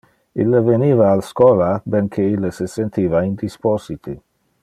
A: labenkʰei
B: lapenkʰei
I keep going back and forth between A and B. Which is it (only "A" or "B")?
A